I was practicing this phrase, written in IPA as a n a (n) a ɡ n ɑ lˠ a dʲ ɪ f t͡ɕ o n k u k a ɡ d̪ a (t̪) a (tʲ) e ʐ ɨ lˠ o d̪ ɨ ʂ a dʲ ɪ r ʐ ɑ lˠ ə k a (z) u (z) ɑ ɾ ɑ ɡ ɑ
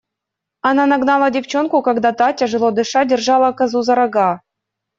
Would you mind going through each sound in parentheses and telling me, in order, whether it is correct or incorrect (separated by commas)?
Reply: correct, correct, correct, correct, correct